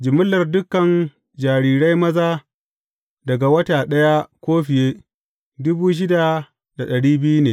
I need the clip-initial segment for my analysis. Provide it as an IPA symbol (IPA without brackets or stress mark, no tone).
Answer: d͡ʒ